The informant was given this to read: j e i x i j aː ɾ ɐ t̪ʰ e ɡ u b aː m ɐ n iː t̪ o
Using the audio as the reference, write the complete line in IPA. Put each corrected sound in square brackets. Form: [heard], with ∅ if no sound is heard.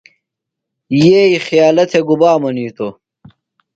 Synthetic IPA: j e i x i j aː [l] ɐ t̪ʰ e ɡ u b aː m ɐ n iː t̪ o

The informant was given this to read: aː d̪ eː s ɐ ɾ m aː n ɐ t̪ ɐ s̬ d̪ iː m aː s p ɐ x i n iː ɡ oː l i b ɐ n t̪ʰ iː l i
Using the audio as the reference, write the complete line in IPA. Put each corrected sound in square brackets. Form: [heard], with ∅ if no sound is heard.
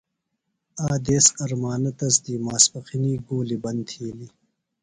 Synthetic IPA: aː d̪ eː s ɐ ɾ m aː n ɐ t̪ ɐ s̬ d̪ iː m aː s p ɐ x i n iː ɡ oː l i b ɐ n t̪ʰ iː l i

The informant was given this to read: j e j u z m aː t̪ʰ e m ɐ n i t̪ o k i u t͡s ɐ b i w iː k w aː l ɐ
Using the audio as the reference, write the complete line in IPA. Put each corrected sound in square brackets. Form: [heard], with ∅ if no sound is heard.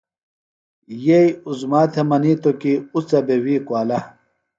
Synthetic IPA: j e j u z m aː t̪ʰ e m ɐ n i t̪ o k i u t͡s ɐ b [e] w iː k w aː l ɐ

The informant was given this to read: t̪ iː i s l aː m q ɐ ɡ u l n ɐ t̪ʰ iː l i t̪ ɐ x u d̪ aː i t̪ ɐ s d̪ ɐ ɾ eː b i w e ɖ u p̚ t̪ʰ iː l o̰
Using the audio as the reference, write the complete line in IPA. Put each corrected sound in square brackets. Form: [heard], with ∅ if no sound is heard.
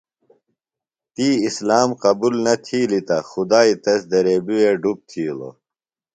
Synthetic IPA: t̪ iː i s l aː m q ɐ [b] u l n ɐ t̪ʰ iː l i t̪ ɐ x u d̪ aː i t̪ ɐ s d̪ ɐ ɾ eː b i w e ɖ u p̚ t̪ʰ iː l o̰

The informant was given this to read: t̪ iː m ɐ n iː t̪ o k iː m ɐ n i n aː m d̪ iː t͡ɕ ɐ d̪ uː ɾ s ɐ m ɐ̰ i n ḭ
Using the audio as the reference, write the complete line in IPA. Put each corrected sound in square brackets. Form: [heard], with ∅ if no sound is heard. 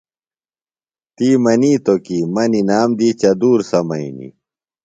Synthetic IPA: t̪ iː m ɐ n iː t̪ o k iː m ɐ n i n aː m d̪ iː t͡ɕ ɐ d̪ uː ɾ s ɐ m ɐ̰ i n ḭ

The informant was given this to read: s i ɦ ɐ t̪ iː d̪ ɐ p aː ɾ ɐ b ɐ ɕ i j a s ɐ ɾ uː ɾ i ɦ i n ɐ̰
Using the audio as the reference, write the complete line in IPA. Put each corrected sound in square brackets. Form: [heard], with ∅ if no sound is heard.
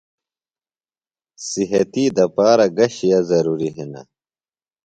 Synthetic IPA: s i ɦ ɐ t̪ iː d̪ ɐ p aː ɾ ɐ [ɡ] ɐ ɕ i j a [z] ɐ ɾ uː ɾ i ɦ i n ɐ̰

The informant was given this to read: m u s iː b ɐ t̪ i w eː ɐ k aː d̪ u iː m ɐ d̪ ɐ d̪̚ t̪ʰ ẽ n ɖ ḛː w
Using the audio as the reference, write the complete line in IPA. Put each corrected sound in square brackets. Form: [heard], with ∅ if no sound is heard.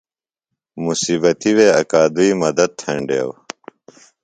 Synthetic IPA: m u s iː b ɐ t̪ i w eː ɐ k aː d̪ u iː m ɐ d̪ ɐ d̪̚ t̪ʰ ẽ [ɳ] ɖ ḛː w

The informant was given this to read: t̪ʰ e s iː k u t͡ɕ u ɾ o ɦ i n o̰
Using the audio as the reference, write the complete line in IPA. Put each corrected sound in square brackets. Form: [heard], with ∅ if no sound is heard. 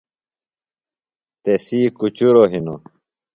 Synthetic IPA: [t̪] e s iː k u t͡ɕ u ɾ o ɦ i n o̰

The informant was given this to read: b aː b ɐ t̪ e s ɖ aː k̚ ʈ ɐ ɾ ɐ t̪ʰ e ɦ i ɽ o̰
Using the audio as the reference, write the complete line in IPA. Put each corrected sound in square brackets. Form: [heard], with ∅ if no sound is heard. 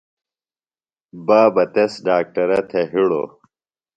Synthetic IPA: b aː b ɐ t̪ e s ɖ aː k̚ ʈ ɐ ɾ ɐ t̪ʰ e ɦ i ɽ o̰

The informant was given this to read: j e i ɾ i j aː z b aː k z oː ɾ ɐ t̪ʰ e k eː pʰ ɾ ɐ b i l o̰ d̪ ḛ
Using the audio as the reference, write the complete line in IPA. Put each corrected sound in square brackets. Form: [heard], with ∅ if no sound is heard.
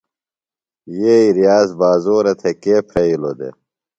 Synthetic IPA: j e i ɾ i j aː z b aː [∅] z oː ɾ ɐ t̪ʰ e k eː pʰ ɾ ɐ [∅] i l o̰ d̪ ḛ

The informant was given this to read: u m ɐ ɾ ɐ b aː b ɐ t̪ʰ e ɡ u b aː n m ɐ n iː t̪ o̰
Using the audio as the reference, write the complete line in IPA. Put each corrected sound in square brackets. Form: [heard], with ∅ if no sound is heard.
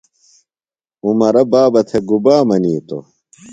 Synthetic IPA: u m ɐ ɾ ɐ b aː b ɐ t̪ʰ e ɡ u b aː [∅] m ɐ n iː t̪ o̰

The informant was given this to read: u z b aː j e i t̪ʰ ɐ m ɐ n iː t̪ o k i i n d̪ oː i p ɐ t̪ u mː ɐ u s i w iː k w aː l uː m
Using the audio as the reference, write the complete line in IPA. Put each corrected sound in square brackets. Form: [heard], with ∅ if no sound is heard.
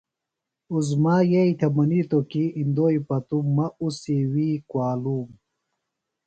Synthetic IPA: u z [m] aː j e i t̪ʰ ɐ m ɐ n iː t̪ o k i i n d̪ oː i p ɐ t̪ u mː ɐ u s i w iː k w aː l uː m

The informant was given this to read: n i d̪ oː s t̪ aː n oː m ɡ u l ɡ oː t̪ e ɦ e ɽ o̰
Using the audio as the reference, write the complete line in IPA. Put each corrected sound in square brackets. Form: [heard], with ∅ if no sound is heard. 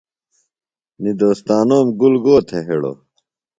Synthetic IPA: n i d̪ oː s t̪ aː n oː m ɡ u l ɡ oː [t̪ʰ] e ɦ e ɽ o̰

